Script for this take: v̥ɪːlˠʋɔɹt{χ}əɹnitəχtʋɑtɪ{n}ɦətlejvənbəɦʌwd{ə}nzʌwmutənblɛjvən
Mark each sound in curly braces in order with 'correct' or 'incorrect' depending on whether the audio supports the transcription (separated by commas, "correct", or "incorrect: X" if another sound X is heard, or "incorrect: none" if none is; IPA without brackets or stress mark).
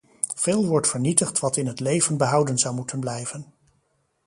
incorrect: f, correct, correct